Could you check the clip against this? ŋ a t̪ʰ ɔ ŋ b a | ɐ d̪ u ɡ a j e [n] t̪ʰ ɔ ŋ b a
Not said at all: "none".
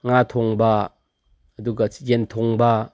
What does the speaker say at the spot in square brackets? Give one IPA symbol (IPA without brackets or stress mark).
n